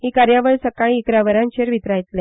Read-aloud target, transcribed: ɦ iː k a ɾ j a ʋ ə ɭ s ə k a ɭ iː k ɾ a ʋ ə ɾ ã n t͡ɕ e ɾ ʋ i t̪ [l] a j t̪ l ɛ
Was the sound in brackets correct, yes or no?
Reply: no